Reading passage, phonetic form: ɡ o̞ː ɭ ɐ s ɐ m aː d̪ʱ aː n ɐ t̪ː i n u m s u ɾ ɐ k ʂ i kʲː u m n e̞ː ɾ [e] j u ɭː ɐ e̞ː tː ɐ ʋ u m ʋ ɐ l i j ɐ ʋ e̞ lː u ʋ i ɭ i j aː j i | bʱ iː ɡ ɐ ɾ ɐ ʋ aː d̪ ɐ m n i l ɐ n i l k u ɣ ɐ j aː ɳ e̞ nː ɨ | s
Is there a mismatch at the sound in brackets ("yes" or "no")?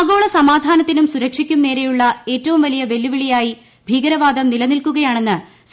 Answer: no